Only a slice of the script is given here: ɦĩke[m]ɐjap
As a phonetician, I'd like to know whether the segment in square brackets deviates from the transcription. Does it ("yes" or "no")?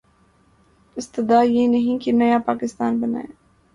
yes